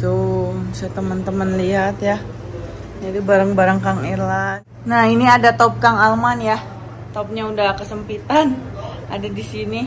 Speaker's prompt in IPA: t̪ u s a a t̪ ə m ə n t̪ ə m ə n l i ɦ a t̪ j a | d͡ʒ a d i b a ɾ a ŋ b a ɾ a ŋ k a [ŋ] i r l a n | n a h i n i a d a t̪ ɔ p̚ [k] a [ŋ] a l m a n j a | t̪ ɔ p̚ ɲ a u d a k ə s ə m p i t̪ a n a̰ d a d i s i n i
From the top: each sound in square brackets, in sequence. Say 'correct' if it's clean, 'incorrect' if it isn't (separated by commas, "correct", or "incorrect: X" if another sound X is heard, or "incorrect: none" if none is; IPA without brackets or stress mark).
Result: correct, correct, correct